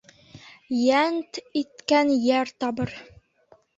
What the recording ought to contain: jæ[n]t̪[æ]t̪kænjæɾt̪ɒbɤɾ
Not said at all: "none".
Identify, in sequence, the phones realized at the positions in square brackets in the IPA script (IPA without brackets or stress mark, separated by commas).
n, i